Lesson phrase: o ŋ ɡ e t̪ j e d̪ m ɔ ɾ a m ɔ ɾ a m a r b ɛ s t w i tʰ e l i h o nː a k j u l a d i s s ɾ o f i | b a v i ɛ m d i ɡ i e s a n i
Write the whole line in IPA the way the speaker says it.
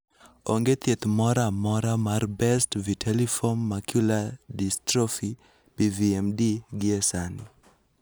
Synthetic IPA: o ŋ ɡ e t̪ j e t̪ m ɔ ɾ a m ɔ ɾ a m a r b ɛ s t v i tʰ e l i f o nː a k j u l a d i s t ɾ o f i | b i v i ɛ m d i ɡ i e s a n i